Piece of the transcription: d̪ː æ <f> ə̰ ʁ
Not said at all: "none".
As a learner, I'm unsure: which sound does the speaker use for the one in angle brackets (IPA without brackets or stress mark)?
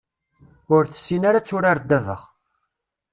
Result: v